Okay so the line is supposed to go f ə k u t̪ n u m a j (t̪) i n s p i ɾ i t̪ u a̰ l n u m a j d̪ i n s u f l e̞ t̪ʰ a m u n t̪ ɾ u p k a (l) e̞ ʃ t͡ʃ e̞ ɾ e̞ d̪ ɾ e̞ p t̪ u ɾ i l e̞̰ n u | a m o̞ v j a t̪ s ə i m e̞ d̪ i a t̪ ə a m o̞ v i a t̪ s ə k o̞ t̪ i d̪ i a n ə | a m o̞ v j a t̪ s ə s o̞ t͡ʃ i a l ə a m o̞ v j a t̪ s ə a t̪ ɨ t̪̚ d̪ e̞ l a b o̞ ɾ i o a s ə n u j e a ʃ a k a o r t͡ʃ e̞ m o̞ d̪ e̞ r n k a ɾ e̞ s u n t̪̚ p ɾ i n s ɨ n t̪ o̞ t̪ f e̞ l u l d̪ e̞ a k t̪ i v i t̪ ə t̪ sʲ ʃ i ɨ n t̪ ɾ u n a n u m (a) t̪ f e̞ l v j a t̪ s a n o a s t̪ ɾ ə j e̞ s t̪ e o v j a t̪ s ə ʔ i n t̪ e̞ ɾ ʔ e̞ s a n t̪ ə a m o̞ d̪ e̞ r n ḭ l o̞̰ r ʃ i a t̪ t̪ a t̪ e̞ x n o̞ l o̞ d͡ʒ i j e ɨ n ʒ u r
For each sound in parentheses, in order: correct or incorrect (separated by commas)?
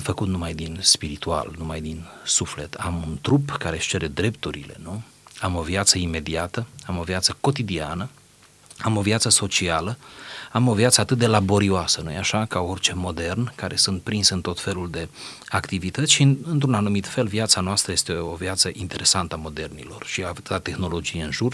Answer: incorrect, incorrect, incorrect